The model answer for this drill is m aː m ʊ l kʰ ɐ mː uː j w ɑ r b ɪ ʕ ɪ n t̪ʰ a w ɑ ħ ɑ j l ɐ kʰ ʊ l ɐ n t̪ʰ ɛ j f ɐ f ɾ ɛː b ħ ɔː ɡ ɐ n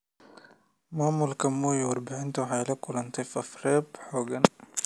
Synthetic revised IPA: m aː m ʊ l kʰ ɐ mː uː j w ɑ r b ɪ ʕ ɪ n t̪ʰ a w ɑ ħ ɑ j l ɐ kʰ ʊ l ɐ n t̪ʰ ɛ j f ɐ f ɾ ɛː b ħ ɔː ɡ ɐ n